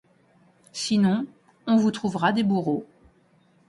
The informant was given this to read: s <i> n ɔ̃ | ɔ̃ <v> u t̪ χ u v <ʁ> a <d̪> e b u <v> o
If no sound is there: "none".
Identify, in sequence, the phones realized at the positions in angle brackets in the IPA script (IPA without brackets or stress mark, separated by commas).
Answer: i, v, ʁ, d̪, ʁ